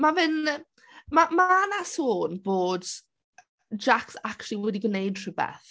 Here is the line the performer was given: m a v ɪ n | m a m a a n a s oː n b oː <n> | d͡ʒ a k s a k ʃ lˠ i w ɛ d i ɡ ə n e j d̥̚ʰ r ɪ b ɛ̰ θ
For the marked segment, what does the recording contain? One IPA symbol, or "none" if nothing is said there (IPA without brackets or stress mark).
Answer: d